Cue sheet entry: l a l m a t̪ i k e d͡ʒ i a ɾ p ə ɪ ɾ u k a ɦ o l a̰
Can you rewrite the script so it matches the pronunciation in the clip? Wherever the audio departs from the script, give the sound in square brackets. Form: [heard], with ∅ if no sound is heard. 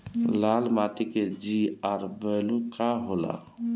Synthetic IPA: l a l m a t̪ i k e d͡ʒ i a ɾ [b] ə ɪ [l] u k a ɦ o l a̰